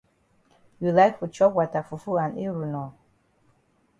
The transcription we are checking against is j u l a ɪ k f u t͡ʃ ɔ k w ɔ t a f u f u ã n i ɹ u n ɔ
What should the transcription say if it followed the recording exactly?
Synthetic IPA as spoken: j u l a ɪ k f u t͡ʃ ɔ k w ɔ t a f u f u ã n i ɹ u n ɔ